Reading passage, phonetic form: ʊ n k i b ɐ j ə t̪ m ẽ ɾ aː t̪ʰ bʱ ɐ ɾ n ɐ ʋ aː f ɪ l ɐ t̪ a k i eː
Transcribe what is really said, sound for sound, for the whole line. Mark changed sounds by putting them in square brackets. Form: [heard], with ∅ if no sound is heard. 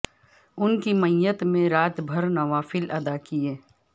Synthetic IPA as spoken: ʊ n k i [m] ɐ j ə t̪ m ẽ ɾ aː [t̪] bʱ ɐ ɾ n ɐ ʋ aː f ɪ l ɐ [d̪] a k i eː